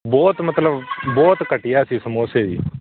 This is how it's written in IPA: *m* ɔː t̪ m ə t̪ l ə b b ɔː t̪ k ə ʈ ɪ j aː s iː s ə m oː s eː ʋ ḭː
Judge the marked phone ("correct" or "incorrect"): incorrect